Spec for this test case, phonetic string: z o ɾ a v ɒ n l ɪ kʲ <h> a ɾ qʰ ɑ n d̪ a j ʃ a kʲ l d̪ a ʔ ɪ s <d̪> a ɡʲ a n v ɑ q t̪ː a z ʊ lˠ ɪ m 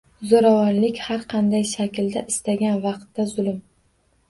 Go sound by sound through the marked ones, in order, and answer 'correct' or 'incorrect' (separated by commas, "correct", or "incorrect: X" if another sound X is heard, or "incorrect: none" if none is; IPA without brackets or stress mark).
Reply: correct, incorrect: t̪